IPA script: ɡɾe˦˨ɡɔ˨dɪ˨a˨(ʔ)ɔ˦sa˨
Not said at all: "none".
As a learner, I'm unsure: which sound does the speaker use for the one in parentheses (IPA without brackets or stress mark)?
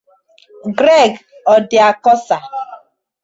k